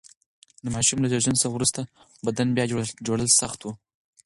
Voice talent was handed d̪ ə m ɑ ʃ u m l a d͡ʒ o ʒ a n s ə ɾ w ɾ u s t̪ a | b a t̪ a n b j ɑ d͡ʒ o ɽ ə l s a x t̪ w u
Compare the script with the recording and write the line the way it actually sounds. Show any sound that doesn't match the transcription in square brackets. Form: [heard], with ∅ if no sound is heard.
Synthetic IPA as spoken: d̪ ə m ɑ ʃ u m l a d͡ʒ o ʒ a n s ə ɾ w ɾ u s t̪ a | b a [d̪] a n b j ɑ d͡ʒ o ɽ ə l s a x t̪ w u

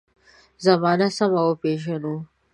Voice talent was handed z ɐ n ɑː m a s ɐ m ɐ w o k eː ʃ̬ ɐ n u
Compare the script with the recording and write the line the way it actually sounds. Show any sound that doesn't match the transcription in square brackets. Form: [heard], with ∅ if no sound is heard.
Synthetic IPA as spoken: z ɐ [m] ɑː [n] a s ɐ m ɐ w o [p] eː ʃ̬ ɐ n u

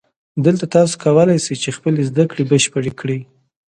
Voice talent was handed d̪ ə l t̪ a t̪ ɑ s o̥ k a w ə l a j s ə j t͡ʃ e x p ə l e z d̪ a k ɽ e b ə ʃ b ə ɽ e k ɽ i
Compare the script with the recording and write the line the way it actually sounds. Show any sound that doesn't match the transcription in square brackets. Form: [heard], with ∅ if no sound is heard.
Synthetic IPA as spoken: d̪ ə l t̪ a t̪ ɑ s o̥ k a w ə l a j s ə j t͡ʃ e x p ə l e z d̪ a k ɽ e b ə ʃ [p] ə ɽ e k ɽ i

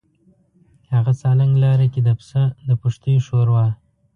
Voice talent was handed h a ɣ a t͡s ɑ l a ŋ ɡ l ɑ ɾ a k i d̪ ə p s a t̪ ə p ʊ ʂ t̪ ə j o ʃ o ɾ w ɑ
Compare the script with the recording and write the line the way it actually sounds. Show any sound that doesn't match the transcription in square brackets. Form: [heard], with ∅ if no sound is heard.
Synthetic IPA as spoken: h a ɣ a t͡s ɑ l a ŋ ɡ l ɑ ɾ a k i d̪ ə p s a [d̪] ə p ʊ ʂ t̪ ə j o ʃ o ɾ w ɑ

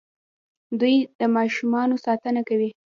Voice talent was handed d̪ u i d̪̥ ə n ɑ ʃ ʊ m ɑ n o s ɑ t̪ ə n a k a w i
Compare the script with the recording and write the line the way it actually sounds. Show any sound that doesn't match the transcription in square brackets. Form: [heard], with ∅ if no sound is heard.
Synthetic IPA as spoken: d̪ u [j] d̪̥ ə [m] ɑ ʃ [u] m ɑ n o s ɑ t̪ ə n a k a w i

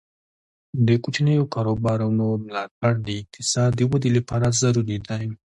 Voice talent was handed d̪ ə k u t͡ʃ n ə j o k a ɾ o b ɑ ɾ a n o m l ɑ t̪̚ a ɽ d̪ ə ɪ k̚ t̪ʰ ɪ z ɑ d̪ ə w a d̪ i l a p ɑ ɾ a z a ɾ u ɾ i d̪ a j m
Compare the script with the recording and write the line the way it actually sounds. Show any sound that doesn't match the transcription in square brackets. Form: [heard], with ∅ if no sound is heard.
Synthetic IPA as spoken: d̪ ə k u t͡ʃ n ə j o k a ɾ o b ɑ ɾ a n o m l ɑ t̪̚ a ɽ d̪ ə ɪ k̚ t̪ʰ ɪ [s] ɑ d̪ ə w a d̪ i l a p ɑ ɾ a z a ɾ u ɾ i d̪ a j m

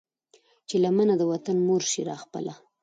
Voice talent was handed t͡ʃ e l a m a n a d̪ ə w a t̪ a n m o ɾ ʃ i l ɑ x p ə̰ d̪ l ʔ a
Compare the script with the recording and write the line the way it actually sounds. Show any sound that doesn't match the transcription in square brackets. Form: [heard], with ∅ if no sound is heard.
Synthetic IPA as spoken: t͡ʃ e l a m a n a d̪ ə w a t̪ a n m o ɾ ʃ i [ɾ] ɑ x p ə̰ [∅] l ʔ a

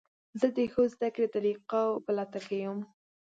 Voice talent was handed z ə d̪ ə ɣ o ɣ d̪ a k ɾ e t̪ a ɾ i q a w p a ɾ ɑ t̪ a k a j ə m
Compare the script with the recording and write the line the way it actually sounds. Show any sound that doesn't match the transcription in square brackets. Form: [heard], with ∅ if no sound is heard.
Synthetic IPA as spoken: z ə d̪ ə [x] o [z] d̪ a k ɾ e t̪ a ɾ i q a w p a [l] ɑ t̪ a k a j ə m

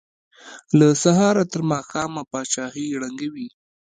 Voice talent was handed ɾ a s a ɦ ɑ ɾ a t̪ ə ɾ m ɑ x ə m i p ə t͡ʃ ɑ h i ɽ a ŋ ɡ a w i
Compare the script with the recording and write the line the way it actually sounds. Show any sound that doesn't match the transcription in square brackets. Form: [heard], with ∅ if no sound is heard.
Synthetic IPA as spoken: [l] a s a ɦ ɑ ɾ a t̪ ə ɾ m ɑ x [ɑ] m [a] p [ɑ] t͡ʃ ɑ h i ɽ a ŋ ɡ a w i

